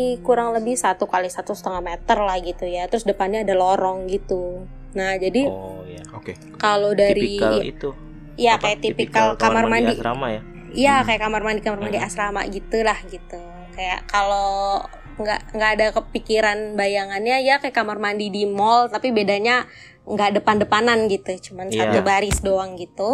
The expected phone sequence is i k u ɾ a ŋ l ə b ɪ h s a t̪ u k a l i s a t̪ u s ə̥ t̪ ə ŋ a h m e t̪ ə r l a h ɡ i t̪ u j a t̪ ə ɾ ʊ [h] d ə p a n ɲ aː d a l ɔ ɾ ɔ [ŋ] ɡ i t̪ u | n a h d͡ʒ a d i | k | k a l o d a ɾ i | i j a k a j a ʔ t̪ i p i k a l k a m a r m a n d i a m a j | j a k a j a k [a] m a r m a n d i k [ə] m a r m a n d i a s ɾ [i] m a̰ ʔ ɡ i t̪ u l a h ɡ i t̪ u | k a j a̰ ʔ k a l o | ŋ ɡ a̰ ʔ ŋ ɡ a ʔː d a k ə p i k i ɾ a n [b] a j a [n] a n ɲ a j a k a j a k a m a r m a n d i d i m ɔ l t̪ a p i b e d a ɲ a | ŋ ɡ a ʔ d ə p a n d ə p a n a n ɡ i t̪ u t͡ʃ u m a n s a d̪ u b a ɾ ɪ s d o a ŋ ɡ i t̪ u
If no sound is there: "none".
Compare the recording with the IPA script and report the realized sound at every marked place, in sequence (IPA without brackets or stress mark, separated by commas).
s, ŋ, a, a, a, b, ŋ